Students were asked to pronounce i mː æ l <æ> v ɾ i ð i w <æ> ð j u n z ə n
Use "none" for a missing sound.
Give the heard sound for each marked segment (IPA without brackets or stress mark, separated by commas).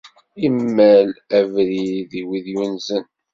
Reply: æ, i